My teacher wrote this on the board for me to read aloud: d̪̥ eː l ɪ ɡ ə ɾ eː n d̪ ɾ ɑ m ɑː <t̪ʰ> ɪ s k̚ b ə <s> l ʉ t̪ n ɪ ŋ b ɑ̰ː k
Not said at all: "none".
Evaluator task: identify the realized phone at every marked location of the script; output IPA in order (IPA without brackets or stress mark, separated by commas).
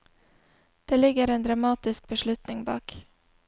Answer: t̪, ʃ